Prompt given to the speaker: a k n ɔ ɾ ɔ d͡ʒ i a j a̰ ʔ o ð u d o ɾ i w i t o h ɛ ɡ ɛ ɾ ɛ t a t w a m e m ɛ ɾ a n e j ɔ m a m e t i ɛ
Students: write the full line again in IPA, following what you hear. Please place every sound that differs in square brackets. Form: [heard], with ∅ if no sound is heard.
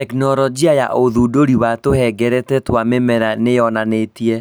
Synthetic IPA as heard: [ɛ] k n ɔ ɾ ɔ d͡ʒ i a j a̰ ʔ o ð u d o ɾ i w [a] t o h ɛ ɡ ɛ ɾ ɛ t [ɛ] t w a m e m ɛ ɾ a n e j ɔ [n] a [n] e t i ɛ